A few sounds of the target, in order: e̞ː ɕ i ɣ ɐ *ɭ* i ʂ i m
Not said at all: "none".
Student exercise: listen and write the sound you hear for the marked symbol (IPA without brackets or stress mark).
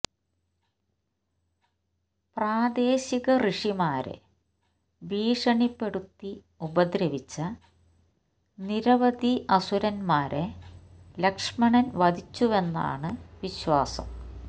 r